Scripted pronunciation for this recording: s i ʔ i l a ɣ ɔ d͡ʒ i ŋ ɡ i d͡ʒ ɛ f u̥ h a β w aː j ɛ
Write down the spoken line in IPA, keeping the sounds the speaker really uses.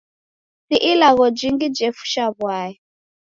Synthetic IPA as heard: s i ʔ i l a ɣ ɔ d͡ʒ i ŋ ɡ i d͡ʒ ɛ f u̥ ʃ a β w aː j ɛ